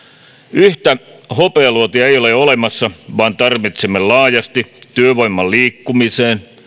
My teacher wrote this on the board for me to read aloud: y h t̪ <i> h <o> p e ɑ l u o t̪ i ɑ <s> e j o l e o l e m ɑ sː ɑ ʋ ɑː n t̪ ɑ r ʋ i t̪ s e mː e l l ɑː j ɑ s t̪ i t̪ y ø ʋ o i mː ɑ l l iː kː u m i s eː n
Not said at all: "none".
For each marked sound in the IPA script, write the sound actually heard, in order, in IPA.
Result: æ, o, none

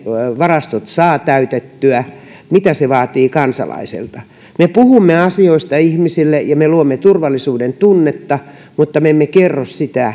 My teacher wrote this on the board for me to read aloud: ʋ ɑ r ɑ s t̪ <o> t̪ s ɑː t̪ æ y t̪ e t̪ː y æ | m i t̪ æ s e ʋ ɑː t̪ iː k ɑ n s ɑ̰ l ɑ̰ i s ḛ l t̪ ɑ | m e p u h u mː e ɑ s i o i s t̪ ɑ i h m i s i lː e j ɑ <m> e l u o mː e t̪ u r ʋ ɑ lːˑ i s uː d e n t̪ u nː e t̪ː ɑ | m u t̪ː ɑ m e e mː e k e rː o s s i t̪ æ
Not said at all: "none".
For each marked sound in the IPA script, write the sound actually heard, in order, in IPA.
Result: o, m

